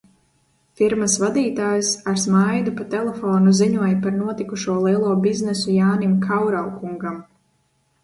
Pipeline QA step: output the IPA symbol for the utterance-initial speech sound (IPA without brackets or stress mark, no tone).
f